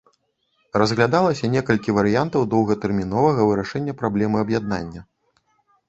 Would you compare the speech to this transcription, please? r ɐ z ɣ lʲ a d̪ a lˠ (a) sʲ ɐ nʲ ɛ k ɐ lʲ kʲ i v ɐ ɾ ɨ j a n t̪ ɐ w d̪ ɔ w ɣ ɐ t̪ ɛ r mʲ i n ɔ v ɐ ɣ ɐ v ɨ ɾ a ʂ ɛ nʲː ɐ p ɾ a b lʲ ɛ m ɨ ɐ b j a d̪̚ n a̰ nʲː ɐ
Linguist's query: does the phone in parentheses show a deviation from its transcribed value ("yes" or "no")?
yes